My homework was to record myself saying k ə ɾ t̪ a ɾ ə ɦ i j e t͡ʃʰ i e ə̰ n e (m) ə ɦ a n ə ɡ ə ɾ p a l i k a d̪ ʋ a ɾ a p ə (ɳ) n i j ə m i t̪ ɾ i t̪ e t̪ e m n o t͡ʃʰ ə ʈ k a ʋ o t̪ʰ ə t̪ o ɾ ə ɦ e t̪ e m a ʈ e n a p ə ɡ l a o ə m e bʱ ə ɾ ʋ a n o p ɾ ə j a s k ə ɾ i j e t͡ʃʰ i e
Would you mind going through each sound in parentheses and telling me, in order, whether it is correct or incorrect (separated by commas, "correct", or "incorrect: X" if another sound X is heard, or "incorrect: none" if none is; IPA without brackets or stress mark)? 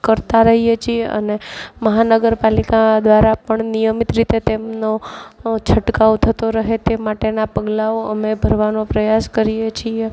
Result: correct, correct